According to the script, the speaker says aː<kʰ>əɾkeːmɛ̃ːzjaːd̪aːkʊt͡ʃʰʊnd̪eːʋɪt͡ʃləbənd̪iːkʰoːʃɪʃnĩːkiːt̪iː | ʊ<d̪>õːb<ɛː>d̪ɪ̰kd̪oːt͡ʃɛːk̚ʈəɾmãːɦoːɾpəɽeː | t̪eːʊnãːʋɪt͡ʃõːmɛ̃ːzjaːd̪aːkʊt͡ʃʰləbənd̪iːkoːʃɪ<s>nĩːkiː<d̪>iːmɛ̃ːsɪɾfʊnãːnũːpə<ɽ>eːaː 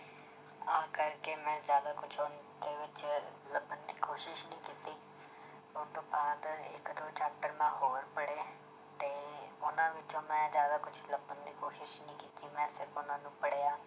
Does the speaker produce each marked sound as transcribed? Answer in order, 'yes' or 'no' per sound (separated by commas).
no, no, no, no, no, yes